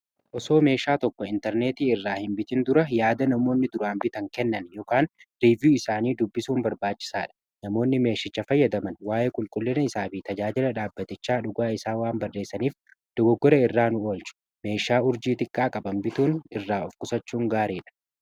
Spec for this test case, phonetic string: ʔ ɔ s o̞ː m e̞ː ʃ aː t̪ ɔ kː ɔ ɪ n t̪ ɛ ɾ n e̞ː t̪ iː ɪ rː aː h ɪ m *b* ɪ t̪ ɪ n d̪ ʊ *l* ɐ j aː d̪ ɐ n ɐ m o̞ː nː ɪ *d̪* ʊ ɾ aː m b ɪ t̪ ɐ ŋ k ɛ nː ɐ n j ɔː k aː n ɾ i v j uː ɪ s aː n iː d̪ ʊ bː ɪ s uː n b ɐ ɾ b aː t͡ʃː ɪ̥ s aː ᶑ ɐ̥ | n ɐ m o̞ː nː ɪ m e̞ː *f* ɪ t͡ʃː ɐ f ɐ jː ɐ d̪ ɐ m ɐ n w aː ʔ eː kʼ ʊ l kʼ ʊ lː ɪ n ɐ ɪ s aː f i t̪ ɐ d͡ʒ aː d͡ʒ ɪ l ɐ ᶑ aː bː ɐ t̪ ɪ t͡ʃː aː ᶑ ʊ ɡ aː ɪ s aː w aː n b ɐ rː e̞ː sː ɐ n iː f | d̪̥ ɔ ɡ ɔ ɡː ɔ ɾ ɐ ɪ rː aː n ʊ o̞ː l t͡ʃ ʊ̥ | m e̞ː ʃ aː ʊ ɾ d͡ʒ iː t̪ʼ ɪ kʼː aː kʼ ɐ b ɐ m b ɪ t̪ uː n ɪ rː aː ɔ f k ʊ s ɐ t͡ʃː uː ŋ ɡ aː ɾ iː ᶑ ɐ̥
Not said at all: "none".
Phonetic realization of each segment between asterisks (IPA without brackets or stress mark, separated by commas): b, ɾ, d̪, ʃ